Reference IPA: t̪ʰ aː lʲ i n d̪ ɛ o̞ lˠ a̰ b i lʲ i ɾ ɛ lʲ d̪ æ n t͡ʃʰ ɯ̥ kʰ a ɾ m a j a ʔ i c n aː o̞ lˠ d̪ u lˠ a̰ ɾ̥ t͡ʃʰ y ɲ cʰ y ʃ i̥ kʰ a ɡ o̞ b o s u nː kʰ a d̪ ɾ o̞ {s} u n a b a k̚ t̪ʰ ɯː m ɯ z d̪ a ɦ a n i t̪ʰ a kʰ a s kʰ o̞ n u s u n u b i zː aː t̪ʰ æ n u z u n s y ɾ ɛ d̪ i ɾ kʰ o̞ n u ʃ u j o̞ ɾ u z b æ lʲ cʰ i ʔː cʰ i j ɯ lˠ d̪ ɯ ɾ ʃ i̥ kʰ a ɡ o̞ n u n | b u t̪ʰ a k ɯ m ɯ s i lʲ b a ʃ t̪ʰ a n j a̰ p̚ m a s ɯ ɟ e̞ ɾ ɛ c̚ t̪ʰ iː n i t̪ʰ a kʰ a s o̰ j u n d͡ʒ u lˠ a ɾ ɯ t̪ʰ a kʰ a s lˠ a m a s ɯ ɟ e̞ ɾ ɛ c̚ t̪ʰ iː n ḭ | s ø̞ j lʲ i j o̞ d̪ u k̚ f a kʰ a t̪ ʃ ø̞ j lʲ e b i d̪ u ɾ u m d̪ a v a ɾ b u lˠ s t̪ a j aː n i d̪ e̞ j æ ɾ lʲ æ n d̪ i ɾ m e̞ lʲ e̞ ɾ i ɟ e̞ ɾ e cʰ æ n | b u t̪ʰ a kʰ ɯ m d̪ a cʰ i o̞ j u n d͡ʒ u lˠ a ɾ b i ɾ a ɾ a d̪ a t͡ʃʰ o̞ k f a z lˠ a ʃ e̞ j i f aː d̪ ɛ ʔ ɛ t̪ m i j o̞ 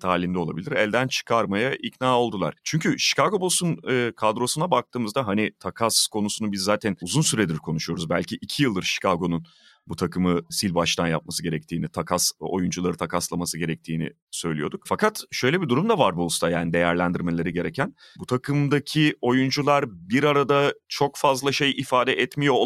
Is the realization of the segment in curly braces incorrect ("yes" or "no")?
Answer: no